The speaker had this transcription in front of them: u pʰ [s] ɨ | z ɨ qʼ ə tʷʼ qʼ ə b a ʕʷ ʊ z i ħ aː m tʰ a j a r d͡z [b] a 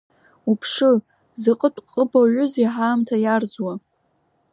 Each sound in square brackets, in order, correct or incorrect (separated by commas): incorrect, incorrect